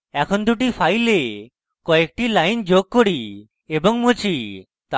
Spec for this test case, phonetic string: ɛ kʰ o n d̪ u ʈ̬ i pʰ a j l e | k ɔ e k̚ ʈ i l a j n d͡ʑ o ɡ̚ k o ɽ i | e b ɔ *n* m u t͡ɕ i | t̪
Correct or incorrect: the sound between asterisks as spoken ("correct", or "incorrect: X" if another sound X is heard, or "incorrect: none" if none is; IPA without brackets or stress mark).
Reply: incorrect: ŋ